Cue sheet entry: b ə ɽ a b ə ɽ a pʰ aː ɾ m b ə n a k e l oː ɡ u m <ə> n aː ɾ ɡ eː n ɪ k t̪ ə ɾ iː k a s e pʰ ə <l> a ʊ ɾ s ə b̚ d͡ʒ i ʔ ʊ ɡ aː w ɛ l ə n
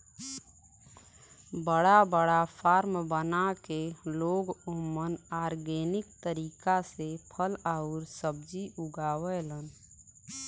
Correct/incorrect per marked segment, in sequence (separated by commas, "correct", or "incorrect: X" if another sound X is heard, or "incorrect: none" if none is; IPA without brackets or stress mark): correct, correct